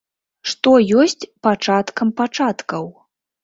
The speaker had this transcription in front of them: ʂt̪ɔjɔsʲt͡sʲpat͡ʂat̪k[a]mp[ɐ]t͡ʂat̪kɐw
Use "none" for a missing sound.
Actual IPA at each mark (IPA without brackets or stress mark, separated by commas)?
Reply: ɐ, a